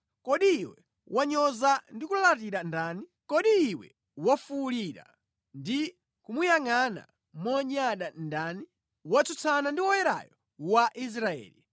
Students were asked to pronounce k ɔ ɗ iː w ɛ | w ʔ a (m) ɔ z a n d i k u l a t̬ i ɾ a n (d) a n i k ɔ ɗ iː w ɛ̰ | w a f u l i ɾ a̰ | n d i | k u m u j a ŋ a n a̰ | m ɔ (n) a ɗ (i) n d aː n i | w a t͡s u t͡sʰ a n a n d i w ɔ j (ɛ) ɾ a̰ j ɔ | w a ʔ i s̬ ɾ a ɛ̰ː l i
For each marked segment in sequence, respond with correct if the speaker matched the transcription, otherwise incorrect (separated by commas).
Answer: incorrect, correct, incorrect, incorrect, correct